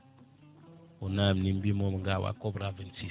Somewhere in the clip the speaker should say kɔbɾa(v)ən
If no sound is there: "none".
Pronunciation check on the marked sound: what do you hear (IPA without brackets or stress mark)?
v